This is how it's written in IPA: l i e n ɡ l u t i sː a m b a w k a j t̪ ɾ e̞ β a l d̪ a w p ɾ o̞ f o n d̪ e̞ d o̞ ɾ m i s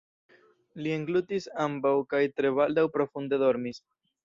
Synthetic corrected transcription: l i e ŋ ɡ l u t i s a m b a w k a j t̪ ɾ e̞ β a l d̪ a w p ɾ o̞ f u n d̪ e̞ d o̞ ɾ m i s